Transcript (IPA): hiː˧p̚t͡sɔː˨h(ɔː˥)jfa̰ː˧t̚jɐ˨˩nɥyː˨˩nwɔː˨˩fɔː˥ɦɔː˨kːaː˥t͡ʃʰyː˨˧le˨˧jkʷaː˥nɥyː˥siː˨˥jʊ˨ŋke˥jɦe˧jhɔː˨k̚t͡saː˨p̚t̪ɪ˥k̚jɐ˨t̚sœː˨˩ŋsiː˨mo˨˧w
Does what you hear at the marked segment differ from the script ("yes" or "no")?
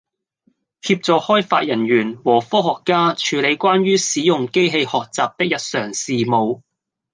no